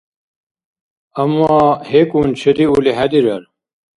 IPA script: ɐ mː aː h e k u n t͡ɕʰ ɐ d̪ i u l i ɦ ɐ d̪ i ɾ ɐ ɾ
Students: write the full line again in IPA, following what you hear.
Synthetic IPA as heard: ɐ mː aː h e k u n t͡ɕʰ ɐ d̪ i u l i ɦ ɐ d̪ i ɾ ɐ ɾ